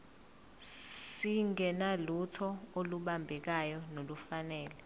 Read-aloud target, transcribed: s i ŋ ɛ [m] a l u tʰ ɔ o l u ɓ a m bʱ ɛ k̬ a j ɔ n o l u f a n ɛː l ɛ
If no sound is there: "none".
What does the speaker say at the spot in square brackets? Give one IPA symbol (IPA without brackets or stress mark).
n